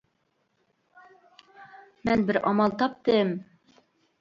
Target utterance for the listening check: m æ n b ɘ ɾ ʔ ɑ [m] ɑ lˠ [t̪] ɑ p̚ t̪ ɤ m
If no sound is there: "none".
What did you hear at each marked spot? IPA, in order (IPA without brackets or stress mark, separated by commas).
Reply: m, t̪